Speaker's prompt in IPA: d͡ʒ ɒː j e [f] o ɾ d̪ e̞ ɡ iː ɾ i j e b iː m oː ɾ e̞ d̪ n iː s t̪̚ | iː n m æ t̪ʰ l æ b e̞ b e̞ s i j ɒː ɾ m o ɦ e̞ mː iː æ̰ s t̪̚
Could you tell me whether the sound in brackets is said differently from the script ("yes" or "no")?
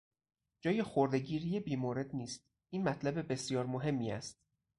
yes